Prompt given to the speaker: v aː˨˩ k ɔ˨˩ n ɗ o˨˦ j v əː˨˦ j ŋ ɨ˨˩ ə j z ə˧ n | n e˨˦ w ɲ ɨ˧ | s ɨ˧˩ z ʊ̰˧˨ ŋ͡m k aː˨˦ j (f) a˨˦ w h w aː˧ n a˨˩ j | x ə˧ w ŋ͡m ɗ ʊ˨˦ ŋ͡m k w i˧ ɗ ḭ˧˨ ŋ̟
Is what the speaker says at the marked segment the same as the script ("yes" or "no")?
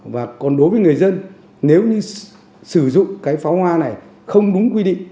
yes